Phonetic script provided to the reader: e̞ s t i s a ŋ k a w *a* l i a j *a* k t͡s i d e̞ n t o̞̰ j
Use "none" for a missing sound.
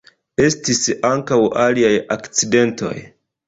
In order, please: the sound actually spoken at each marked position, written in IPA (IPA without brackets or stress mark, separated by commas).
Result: a, a